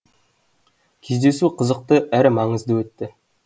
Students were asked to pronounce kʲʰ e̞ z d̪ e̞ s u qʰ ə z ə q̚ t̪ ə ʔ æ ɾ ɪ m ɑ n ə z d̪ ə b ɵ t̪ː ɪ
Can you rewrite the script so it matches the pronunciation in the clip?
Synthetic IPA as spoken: kʲʰ e̞ z d̪ e̞ s u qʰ ə z ə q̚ t̪ ə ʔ æ ɾ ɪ m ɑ ɴ ə z d̪ ə w ɵ t̪ː ɪ